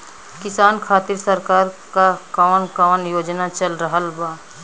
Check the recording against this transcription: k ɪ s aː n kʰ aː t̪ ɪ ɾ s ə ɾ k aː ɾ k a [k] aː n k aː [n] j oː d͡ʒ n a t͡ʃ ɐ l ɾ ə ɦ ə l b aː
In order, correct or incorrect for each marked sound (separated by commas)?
correct, correct